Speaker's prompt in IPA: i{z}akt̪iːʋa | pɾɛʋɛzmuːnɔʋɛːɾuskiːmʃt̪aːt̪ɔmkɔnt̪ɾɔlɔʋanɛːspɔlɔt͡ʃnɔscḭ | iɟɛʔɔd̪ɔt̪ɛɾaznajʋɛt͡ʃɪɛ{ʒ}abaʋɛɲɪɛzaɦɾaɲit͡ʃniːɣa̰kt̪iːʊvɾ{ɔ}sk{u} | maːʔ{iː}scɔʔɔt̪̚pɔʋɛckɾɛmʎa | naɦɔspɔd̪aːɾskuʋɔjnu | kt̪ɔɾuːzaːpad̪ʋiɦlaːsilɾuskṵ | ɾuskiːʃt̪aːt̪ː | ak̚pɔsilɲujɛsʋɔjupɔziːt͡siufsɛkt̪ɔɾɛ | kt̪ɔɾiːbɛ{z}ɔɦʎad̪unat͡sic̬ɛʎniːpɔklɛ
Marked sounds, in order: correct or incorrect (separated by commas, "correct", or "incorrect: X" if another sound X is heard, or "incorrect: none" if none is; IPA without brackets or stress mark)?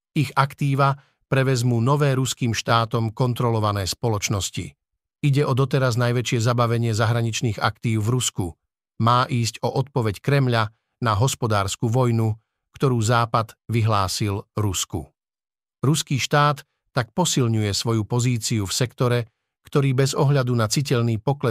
incorrect: ɣ, incorrect: z, incorrect: u, correct, correct, correct